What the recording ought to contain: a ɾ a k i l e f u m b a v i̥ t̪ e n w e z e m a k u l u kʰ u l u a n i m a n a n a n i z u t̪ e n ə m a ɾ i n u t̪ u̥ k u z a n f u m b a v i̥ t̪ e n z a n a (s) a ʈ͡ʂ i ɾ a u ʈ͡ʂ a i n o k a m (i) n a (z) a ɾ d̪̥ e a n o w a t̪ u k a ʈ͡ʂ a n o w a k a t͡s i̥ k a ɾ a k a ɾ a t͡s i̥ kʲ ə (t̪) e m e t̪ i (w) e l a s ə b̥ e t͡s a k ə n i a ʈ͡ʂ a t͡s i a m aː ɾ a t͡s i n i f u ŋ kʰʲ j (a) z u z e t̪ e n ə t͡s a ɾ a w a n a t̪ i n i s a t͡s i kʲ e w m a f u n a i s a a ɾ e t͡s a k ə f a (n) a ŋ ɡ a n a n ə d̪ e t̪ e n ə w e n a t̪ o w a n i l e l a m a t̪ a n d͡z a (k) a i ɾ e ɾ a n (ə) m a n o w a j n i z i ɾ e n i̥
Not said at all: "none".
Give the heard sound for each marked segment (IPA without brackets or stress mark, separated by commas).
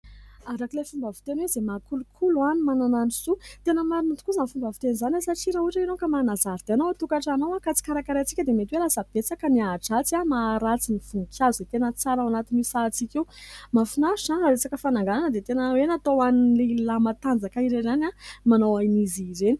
s, a, z, d̪, w, a, n, k, a